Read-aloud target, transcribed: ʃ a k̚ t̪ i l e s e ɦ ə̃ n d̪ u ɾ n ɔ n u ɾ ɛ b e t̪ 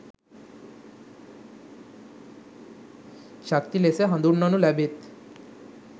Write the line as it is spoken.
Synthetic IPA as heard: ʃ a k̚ t̪ i l e s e ɦ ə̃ n d̪ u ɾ n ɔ n u l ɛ b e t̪